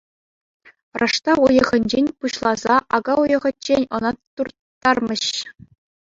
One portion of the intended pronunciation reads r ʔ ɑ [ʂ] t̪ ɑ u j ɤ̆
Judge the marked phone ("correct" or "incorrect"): correct